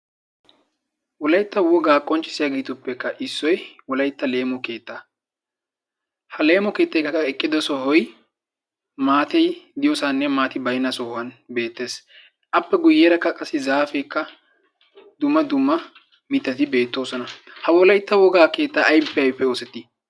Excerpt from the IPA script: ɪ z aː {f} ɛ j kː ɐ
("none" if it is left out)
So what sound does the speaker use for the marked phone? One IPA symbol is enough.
f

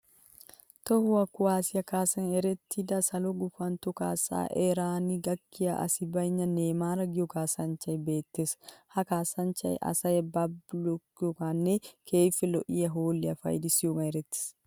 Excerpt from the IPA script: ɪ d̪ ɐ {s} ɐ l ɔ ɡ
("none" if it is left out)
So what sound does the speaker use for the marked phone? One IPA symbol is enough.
s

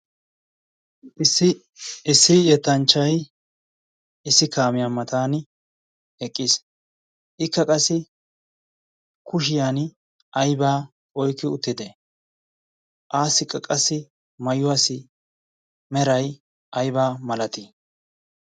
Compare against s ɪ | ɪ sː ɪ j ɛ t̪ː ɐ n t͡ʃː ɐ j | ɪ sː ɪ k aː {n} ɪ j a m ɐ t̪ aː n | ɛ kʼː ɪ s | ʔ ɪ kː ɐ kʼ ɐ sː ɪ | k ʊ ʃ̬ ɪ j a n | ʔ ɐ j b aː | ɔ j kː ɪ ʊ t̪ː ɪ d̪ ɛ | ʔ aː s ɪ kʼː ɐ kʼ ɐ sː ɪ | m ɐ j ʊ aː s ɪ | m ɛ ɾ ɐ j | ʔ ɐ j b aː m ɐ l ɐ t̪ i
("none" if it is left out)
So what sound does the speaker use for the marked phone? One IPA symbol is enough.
m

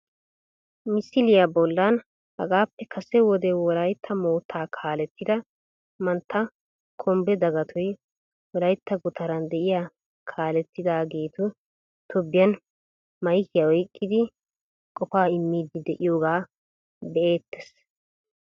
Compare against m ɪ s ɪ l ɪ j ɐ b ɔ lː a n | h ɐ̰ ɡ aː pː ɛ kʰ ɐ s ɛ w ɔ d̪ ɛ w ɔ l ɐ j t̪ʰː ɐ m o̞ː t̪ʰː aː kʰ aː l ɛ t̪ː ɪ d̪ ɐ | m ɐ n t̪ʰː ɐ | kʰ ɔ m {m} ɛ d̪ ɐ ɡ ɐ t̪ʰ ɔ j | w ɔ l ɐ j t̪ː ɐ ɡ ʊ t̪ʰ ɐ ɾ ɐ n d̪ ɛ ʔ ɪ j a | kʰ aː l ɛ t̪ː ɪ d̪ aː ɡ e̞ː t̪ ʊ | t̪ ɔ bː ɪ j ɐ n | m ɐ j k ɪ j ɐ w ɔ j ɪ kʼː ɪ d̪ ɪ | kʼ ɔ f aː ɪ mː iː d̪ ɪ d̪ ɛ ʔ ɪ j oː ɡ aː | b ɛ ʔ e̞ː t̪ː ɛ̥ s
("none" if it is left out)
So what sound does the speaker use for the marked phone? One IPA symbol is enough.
b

